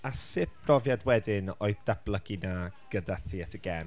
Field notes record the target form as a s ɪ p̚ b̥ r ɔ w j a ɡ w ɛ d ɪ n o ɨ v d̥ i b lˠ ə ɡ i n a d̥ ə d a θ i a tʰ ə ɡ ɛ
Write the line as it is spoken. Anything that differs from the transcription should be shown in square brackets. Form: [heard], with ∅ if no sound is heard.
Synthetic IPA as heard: a s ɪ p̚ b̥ r ɔ [v] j a [d] w ɛ d ɪ n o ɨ [ð] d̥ [a] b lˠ ə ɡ i n a [ɡ̥] ə d a θ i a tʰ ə ɡ ɛ